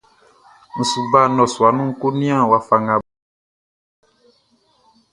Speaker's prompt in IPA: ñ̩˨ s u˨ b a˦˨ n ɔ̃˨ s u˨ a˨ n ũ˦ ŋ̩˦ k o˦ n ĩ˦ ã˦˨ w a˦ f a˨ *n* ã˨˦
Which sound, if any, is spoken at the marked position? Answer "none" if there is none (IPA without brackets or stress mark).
ŋ